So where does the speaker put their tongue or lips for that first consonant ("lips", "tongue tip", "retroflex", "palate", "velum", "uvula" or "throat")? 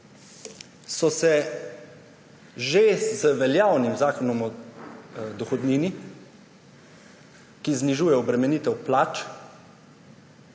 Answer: tongue tip